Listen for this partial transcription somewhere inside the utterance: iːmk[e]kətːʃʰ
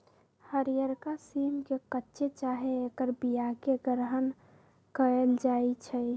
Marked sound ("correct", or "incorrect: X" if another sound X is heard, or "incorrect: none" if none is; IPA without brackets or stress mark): correct